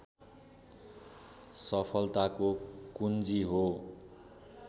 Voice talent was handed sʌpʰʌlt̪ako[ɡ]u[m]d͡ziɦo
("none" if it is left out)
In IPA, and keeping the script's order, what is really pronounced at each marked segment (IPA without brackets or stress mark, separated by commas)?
k, n